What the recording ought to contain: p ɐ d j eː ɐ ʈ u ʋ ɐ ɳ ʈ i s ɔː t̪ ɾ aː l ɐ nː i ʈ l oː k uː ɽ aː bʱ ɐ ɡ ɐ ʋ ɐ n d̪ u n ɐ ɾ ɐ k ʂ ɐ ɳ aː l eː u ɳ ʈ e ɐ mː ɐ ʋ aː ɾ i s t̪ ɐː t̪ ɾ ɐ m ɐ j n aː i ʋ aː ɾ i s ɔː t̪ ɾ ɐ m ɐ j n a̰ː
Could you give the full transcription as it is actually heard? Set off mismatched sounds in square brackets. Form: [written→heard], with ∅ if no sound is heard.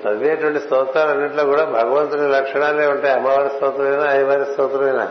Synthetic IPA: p ɐ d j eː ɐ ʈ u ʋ ɐ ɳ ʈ i s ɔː t̪ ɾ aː l ɐ nː i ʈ l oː k uː ɽ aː bʱ ɐ ɡ ɐ ʋ ɐ n [d̪→t̪] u n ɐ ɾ ɐ k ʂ ɐ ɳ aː l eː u ɳ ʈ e ɐ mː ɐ ʋ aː ɾ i s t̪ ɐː t̪ ɾ ɐ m ɐ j n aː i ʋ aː ɾ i s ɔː t̪ ɾ ɐ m ɐ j n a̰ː